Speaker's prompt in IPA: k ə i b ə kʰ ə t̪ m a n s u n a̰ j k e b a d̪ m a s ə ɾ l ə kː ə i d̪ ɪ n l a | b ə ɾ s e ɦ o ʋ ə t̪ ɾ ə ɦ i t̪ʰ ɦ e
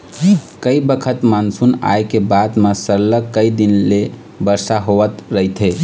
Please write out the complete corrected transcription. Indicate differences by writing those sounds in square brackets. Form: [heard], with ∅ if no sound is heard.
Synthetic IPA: k ə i b ə kʰ ə t̪ m a n s u n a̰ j k e b a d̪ m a s ə ɾ l ə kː ə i d̪ [i] n l [e] | b ə ɾ s [a] ɦ o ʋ ə t̪ ɾ ə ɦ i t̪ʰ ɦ e